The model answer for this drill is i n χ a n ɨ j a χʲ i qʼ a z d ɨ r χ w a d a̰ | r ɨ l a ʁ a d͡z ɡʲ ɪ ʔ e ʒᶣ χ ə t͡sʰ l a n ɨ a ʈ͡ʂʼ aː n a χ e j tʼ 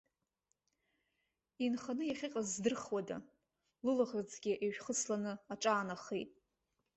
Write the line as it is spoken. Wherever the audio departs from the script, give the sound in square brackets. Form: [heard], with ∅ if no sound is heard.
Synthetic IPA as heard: i n χ a n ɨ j a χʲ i qʼ a z d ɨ r χ w a d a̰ | [l] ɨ l a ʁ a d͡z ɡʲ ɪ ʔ e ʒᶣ χ ə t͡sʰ l a n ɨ a ʈ͡ʂʼ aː n a χ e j tʼ